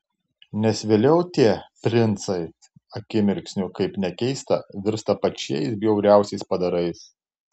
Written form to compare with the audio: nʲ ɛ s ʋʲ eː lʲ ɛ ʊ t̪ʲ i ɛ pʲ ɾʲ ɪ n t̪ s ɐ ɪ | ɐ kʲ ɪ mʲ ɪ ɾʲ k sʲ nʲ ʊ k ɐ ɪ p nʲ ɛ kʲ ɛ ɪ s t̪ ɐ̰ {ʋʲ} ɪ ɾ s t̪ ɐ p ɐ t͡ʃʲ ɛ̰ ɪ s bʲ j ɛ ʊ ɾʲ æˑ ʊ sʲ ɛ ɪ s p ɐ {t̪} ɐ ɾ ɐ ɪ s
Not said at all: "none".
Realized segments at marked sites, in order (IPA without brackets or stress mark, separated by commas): ʋʲ, d̪